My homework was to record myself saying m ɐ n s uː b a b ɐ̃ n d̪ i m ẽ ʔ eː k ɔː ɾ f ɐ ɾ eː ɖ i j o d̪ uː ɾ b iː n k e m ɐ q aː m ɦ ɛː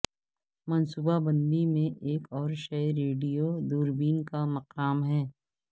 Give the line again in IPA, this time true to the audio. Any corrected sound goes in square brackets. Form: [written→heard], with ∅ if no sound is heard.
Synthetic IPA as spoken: m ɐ n s uː b a b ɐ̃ n d̪ i m ẽ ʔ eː k ɔː ɾ [f→ʃ] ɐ ɾ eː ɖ i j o d̪ uː ɾ b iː n k [e→a] m ɐ q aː m ɦ ɛː